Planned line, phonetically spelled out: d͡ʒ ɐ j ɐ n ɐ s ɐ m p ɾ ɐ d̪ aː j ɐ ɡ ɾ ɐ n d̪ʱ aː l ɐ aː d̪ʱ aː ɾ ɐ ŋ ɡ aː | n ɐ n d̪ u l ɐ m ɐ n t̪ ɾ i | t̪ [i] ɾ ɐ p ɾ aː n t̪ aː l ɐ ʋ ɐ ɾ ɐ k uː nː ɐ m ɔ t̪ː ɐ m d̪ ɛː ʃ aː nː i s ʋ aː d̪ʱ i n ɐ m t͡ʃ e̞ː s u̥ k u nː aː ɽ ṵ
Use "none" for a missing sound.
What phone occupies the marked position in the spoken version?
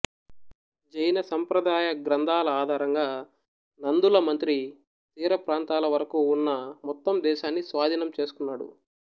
iː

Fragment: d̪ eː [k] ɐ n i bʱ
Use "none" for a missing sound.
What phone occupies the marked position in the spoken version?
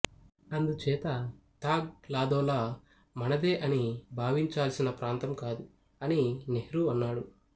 ʔ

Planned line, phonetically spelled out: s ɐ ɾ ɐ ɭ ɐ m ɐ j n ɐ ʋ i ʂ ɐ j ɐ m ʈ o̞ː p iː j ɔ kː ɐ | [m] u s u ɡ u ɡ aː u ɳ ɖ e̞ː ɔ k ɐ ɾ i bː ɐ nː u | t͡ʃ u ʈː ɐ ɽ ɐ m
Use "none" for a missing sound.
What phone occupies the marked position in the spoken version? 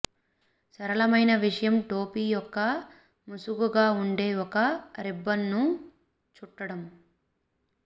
m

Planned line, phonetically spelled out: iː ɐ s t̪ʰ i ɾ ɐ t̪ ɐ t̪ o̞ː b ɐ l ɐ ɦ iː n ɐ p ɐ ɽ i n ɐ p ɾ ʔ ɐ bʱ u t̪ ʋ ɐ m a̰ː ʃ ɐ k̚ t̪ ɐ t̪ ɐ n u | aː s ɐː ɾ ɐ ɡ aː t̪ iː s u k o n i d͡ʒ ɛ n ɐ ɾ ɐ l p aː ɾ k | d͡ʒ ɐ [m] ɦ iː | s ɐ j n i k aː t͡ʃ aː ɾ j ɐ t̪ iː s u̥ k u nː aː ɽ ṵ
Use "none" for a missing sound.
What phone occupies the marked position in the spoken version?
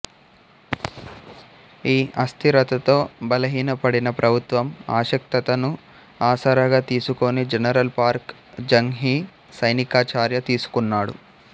ŋ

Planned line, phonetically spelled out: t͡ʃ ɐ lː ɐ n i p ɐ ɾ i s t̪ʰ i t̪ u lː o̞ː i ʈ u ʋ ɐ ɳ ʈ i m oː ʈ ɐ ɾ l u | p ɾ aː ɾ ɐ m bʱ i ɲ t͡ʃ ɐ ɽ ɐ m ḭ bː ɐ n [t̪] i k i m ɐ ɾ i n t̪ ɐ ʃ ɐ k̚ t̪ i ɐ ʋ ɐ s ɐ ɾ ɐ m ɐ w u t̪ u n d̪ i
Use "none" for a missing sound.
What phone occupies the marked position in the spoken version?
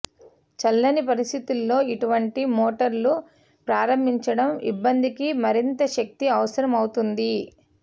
d̪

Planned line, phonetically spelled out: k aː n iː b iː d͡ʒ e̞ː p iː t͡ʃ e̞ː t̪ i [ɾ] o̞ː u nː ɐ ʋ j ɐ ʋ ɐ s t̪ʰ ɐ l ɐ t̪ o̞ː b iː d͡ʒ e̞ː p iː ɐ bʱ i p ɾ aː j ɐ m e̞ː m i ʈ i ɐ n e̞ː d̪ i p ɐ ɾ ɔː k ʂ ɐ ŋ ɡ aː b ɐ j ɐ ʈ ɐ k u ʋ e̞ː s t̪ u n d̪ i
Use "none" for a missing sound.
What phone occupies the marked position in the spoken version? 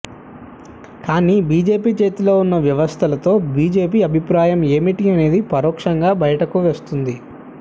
l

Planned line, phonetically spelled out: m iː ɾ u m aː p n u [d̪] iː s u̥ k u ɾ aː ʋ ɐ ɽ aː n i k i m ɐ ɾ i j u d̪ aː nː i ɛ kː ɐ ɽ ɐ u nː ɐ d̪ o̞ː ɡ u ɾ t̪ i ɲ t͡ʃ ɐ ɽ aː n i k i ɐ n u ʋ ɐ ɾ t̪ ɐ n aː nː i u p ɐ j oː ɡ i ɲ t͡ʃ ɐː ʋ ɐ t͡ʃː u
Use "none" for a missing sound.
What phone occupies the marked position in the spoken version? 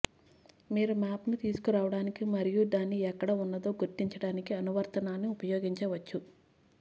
t̪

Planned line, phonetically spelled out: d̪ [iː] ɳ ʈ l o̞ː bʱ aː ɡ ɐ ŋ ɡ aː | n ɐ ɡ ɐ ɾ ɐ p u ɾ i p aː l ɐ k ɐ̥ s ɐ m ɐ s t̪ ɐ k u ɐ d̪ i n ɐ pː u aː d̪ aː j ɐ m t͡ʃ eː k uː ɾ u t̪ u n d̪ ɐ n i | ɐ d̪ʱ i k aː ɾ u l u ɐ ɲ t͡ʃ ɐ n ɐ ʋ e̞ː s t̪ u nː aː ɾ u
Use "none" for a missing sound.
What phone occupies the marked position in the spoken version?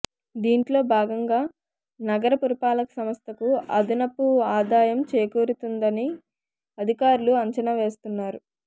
iː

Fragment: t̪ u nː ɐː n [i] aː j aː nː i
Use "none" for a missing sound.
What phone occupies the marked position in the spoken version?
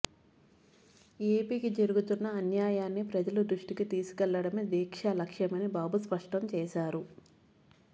j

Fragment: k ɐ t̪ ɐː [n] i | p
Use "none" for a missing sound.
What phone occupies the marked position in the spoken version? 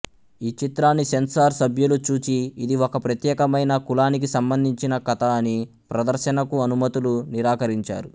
n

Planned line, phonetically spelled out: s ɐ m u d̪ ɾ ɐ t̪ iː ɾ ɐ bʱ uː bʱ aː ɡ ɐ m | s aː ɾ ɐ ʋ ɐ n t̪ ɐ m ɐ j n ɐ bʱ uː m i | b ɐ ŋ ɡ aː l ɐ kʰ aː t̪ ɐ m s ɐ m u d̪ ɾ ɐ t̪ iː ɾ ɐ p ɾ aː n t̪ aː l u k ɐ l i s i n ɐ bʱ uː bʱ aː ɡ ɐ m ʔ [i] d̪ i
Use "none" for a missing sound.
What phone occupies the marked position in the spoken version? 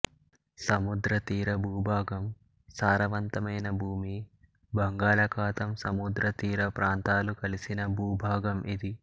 i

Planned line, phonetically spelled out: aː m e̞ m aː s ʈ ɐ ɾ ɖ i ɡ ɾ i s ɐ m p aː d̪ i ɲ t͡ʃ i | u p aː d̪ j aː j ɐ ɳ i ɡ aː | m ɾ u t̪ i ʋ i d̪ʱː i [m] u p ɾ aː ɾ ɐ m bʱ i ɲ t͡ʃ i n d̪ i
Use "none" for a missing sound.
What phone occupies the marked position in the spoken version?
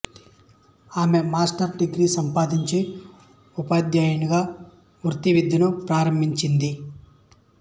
n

